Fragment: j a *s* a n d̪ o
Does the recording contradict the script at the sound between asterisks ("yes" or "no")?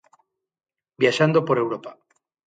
yes